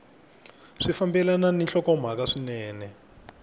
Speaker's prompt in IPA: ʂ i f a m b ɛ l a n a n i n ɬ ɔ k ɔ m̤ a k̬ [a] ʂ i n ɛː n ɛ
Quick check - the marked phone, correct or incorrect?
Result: correct